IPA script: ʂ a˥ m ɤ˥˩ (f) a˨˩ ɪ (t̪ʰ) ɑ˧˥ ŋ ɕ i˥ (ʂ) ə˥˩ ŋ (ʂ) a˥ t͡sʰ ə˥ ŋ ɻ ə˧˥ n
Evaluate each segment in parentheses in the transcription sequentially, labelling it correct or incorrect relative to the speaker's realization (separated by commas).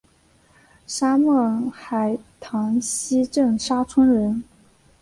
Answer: incorrect, correct, incorrect, correct